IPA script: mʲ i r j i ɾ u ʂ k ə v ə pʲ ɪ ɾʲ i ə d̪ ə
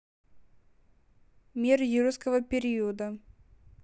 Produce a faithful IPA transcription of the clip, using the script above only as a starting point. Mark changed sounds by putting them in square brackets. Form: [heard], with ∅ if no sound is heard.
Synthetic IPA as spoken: mʲ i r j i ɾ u [s] k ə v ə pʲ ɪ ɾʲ i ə d̪ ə